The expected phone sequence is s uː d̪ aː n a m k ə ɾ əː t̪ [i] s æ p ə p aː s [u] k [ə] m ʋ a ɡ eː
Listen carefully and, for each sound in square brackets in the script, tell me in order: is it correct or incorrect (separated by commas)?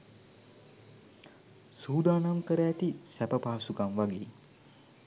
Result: correct, correct, incorrect